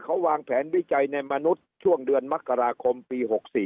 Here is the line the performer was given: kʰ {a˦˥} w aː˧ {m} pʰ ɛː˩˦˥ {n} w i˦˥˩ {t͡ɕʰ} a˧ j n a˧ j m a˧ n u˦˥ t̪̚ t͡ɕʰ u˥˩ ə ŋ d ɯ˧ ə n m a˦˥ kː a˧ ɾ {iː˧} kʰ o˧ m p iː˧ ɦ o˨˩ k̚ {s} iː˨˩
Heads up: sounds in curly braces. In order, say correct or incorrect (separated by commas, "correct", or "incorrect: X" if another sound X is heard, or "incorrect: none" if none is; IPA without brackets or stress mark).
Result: correct, incorrect: ŋ, correct, incorrect: t͡ɕ, incorrect: aː˧, correct